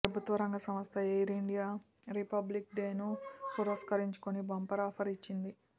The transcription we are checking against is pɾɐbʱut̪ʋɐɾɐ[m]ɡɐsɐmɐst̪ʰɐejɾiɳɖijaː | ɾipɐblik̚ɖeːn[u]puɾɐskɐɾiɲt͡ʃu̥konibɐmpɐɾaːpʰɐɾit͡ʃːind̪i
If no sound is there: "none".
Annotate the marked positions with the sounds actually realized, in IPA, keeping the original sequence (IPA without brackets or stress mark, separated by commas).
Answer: ŋ, u